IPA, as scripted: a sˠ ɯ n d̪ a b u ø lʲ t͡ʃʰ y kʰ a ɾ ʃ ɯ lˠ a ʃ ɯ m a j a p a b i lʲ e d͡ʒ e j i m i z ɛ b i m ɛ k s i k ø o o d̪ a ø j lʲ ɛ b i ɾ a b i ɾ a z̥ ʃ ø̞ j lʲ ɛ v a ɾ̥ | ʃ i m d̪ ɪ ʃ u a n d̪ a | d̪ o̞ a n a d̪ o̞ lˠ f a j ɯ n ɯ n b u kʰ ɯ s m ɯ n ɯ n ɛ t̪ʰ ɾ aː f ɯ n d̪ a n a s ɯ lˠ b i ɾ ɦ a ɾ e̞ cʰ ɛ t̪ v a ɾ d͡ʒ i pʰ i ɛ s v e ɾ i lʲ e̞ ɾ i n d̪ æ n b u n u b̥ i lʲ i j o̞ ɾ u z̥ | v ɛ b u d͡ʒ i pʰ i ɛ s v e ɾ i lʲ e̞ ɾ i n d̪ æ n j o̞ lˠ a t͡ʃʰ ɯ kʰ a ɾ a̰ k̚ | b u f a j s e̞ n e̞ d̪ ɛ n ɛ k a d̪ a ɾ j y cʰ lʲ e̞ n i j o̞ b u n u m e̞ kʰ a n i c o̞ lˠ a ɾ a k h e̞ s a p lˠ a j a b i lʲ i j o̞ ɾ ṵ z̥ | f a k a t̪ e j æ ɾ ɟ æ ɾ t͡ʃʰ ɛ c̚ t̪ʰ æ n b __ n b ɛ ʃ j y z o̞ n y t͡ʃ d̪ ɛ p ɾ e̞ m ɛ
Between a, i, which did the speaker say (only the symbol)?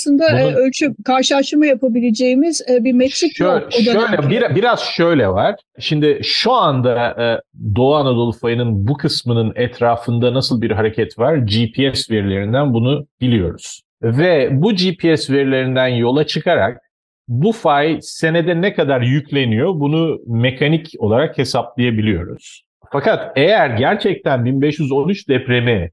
i